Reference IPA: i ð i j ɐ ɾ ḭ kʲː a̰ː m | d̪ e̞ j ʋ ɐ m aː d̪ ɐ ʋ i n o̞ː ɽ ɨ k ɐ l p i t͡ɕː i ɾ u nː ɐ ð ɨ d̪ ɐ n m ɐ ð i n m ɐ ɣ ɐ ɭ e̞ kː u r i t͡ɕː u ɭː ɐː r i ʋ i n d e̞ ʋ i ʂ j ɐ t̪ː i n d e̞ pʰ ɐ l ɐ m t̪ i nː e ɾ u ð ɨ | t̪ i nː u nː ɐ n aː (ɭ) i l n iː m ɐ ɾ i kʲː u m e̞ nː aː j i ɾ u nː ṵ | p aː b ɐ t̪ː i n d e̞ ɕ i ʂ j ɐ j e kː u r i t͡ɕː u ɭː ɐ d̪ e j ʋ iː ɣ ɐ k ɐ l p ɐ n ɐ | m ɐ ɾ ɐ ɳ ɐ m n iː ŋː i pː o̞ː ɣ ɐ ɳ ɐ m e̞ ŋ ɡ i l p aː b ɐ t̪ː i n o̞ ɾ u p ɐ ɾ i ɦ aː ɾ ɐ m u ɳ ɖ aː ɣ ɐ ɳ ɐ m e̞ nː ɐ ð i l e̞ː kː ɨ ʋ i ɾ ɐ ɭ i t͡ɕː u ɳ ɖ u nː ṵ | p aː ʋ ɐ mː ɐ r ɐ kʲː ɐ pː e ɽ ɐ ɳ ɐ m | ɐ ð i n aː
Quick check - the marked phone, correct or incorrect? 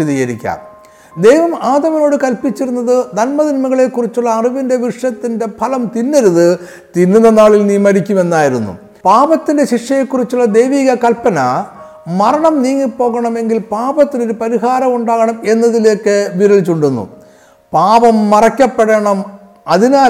correct